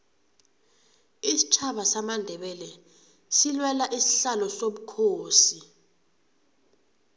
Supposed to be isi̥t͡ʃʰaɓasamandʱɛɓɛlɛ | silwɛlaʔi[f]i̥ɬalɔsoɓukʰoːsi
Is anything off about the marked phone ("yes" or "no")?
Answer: yes